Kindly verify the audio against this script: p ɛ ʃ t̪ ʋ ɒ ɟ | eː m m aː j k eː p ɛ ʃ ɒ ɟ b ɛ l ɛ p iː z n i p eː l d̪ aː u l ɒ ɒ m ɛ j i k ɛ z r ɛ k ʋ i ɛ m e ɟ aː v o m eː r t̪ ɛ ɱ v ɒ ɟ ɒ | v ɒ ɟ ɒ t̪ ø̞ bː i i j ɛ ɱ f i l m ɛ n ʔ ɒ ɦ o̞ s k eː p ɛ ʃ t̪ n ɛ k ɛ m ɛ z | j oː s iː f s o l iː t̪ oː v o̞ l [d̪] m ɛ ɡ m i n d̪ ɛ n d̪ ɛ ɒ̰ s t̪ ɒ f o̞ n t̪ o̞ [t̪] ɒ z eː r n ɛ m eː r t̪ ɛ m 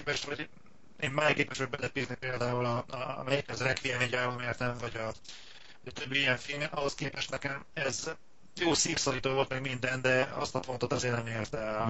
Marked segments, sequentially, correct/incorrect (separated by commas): incorrect, correct